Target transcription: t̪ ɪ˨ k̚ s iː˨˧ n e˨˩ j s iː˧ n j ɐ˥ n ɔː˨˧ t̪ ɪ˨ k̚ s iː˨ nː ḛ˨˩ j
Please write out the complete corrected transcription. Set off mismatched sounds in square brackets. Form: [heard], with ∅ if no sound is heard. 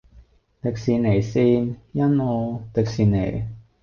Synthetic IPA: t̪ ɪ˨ k̚ s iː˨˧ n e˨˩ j s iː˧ n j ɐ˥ n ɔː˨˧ t̪ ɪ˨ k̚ s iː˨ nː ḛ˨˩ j